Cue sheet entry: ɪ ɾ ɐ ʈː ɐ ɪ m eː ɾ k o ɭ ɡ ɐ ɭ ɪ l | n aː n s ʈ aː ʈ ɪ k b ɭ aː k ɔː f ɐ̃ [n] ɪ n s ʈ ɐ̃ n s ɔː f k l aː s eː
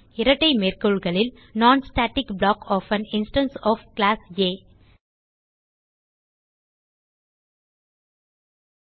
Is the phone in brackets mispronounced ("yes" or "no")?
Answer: no